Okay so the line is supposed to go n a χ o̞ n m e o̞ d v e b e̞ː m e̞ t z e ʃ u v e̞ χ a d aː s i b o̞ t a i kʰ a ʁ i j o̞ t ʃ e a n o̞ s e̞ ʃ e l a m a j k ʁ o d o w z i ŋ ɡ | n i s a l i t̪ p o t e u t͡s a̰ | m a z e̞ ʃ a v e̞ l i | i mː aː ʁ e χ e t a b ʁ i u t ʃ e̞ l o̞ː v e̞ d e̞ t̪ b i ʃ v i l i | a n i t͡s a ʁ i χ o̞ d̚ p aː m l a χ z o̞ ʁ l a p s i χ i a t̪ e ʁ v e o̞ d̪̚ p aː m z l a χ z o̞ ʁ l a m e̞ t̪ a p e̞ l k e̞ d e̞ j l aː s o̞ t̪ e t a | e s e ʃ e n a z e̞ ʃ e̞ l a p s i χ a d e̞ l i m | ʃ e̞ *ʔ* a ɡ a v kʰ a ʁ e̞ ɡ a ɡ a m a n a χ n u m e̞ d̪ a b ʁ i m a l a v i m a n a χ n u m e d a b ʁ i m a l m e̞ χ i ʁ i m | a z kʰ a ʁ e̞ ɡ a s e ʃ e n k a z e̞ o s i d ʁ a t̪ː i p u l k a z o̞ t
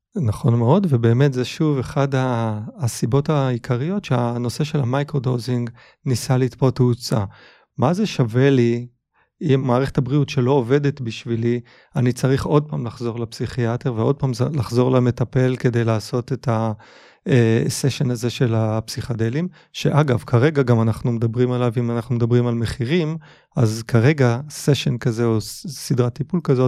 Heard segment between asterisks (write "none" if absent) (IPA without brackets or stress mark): ʔ